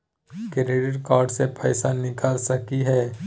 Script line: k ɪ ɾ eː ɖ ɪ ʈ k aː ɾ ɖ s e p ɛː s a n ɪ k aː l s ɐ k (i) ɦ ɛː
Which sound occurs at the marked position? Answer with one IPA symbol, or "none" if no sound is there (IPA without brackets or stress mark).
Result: i